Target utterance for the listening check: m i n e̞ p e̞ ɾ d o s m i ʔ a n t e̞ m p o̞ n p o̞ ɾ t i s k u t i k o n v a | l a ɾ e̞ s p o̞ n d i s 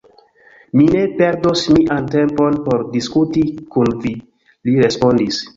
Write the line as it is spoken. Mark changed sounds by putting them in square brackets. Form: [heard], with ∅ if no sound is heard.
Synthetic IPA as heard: m i n e̞ p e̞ ɾ d o s m i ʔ a n t e̞ m p o̞ n p o̞ ɾ [d] i s k u t i k [u] n v [i] | l [i] ɾ e̞ s p o̞ n d i s